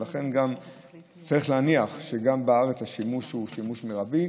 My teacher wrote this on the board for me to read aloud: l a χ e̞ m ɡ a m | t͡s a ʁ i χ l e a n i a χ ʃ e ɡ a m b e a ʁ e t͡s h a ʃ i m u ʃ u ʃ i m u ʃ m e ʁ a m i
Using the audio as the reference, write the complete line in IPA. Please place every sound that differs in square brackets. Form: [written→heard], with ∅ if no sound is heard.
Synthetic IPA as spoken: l a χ e̞ [m→n] ɡ a m | t͡s a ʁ i χ l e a n i a χ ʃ e ɡ a m b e a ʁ e t͡s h a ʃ i m u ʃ u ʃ i m u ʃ m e ʁ a [m→b] i